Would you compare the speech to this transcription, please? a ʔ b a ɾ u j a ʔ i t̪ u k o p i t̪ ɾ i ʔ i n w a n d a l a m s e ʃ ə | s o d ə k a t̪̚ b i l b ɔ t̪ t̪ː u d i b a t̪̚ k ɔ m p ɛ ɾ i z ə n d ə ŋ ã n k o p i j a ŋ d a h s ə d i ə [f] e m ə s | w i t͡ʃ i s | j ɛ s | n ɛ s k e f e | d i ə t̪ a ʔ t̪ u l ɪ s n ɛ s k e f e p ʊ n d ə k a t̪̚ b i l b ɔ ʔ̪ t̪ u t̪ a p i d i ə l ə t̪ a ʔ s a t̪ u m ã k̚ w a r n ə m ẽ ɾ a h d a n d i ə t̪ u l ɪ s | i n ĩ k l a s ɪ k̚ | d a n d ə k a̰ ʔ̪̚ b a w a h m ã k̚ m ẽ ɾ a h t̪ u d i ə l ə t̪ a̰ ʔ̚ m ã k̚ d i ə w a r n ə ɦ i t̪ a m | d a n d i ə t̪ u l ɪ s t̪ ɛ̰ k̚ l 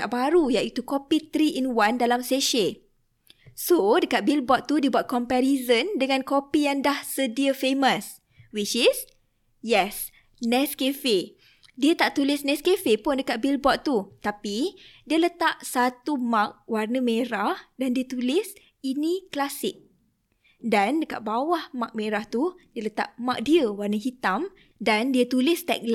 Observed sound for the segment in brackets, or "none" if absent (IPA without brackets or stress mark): f